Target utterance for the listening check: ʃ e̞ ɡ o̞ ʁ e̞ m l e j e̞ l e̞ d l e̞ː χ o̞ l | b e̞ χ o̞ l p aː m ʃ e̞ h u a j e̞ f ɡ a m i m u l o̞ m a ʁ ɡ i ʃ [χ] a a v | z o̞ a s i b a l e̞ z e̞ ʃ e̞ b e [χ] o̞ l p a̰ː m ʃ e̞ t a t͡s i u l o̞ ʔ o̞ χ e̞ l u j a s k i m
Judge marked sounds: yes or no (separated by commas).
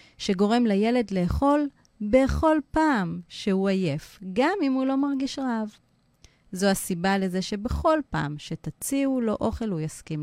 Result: no, yes